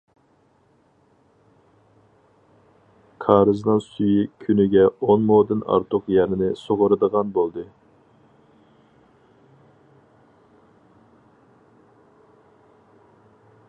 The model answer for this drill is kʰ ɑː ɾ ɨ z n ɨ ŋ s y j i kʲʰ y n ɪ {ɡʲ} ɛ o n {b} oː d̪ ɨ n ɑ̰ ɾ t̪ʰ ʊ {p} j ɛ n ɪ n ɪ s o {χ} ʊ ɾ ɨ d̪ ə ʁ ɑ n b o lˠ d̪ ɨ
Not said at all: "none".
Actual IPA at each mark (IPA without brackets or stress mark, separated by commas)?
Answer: ɡʲ, m, q, ʁ